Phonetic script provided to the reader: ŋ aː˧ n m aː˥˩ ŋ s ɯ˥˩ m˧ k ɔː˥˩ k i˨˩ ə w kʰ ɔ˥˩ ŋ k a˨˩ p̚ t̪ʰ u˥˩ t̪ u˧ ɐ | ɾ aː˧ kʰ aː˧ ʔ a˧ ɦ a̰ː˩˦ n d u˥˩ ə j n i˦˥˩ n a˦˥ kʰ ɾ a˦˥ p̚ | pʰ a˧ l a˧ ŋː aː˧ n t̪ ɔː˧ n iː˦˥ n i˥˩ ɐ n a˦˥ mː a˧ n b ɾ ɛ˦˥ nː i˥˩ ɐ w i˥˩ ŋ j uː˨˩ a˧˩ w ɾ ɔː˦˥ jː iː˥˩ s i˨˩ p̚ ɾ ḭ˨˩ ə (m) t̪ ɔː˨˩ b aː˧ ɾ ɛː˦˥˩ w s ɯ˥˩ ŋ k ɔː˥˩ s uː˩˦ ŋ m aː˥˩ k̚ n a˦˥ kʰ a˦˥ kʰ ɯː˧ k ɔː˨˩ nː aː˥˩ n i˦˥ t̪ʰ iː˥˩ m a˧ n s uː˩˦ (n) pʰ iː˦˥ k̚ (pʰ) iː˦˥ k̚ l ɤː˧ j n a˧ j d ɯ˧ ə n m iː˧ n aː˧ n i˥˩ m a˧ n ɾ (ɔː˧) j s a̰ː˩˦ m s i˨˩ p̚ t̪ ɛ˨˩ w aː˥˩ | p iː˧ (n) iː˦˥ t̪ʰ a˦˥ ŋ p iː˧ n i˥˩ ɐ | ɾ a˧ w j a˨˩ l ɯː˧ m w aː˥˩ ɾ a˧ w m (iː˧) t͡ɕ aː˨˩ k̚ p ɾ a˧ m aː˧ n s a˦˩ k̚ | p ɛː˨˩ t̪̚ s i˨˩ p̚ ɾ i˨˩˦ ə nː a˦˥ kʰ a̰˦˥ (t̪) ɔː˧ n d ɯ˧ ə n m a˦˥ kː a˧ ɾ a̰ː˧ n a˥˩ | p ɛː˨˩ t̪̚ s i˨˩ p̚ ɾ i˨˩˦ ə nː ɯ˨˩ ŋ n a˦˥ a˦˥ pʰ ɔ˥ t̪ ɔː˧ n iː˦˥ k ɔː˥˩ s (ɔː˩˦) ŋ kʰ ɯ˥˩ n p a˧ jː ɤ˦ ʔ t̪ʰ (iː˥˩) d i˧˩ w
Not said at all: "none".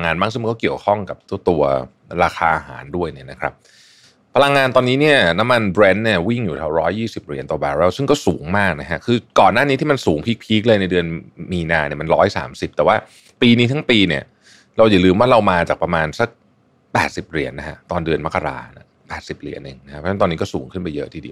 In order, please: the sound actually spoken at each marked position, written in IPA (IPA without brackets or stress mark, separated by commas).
n, ŋ, pʰ, ɔː˦˥, n, aː˧, t̪, uː˩˦, iː˧